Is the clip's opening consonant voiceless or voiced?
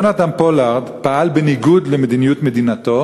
voiced